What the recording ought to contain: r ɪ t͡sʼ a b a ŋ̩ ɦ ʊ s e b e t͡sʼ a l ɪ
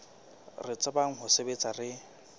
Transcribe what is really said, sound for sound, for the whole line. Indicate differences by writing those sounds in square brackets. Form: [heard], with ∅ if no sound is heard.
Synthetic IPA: r ɪ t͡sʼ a b a ŋ̩ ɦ ʊ s e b e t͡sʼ a [r] ɪ